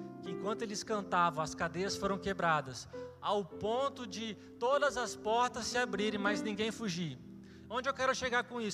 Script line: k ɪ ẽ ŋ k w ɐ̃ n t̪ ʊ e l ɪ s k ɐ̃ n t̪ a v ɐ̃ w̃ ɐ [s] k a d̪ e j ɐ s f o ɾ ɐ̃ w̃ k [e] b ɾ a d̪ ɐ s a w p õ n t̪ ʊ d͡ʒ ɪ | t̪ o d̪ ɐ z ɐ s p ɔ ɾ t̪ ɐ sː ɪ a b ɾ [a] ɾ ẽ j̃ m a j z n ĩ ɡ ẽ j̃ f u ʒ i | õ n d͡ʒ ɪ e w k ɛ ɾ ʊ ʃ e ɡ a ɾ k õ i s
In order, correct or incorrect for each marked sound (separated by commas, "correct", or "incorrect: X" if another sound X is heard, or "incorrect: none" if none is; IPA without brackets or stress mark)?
correct, correct, incorrect: i